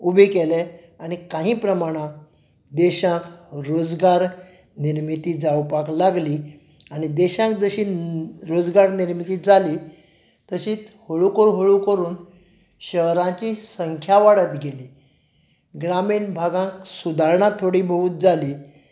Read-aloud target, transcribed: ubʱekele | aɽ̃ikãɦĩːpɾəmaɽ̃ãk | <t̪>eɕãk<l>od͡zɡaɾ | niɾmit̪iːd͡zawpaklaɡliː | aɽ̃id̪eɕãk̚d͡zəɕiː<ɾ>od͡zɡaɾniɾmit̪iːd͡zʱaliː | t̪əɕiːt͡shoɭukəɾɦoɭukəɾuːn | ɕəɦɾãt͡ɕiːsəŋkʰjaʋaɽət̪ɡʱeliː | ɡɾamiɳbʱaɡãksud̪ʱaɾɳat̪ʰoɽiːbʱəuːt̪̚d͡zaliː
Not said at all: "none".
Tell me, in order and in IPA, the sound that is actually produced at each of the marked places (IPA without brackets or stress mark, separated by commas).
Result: d̪, ɾ, ɾ